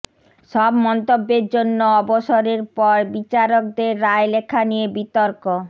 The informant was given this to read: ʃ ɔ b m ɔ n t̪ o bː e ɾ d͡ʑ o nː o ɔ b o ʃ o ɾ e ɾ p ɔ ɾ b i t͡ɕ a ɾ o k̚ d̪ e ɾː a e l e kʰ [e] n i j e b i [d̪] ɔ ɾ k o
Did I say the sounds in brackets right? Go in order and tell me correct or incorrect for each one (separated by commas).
incorrect, incorrect